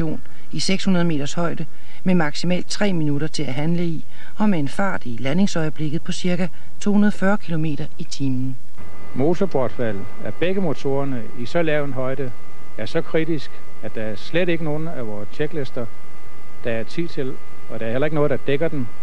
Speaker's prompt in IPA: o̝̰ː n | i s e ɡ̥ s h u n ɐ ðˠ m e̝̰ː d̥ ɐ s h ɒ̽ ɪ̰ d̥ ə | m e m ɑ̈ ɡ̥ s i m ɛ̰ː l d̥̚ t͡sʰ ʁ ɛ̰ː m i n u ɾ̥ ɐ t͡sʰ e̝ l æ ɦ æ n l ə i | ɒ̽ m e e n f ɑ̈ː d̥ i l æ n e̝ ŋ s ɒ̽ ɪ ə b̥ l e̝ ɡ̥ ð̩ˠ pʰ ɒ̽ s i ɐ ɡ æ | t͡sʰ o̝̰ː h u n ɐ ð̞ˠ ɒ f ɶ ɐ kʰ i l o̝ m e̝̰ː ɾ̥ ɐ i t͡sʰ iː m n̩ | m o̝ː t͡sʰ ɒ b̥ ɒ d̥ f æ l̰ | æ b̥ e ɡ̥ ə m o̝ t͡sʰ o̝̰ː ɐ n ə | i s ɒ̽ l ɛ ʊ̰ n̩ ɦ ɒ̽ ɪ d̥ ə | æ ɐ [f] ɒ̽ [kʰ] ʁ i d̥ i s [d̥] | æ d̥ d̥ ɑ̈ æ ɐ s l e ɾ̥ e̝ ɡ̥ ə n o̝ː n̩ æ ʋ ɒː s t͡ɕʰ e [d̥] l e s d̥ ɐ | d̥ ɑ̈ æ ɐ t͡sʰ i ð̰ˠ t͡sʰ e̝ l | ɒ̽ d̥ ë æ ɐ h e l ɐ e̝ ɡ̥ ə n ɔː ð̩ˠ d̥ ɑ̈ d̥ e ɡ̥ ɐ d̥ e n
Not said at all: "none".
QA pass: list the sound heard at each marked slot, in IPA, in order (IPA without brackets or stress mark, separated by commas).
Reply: s, kʰ, ɡ̥, ɡ̥